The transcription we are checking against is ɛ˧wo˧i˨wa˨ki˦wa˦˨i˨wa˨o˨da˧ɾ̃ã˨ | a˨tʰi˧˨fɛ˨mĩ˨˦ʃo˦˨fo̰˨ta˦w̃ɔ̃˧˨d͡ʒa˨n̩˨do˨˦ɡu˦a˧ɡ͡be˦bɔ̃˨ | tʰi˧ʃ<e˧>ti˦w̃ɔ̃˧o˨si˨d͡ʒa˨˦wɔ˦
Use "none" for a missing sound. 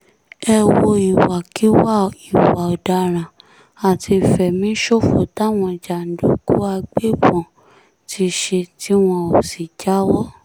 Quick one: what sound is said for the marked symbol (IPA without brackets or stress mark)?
e˧